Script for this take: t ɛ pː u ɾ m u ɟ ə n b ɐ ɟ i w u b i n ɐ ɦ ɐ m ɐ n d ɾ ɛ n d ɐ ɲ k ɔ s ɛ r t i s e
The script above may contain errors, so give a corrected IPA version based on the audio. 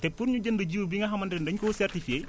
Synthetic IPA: t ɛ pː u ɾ ɲ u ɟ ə n d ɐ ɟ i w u b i ŋ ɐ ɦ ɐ m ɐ n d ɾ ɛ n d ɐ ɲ k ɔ s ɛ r t i f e